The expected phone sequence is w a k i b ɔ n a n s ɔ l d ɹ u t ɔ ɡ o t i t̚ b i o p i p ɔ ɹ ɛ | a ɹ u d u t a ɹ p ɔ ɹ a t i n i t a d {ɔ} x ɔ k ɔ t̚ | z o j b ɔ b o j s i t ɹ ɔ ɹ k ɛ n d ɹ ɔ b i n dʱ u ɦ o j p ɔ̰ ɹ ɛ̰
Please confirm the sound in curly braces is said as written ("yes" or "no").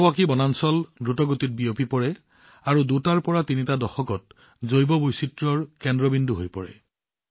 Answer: yes